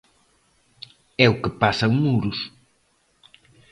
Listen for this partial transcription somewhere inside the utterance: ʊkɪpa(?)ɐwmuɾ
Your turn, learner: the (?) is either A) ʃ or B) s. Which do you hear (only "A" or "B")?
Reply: B